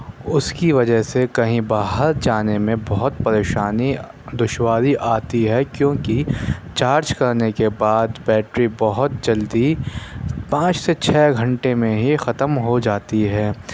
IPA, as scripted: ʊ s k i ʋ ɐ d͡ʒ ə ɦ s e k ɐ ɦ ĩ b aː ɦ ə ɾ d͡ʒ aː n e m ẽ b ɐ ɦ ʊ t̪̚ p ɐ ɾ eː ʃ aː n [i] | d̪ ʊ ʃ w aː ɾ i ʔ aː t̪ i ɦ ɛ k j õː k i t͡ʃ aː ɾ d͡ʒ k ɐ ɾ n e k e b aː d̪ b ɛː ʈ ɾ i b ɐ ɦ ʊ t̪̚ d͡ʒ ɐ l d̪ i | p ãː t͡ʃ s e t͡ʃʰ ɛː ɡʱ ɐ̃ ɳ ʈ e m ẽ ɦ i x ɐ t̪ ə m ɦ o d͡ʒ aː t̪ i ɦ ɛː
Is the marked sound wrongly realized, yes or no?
no